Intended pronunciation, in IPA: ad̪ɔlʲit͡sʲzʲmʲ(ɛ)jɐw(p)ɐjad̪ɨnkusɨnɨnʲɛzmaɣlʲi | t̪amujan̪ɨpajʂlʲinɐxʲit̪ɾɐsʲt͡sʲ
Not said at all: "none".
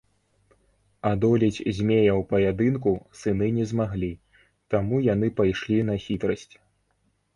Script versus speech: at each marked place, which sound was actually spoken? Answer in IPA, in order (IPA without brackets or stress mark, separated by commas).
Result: e, p